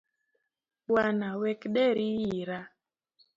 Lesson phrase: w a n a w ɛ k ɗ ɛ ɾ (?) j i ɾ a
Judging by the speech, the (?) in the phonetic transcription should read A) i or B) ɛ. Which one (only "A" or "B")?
A